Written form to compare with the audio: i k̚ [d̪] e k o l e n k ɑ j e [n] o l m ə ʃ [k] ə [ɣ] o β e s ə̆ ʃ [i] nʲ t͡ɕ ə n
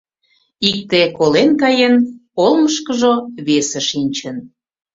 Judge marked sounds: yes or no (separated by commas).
no, yes, yes, no, yes